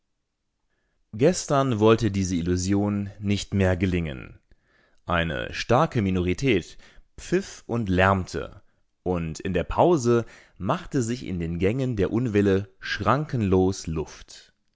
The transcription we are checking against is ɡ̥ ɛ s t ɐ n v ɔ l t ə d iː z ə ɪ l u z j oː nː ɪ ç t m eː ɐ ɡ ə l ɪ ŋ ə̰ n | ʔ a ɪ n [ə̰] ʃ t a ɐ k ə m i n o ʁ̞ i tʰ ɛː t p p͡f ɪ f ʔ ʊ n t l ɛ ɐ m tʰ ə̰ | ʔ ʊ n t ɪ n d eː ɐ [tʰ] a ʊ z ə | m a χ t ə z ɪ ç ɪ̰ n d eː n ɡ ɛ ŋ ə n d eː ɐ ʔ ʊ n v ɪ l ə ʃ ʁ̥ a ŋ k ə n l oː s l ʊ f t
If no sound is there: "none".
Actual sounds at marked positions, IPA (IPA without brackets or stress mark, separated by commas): ə̰, pʰ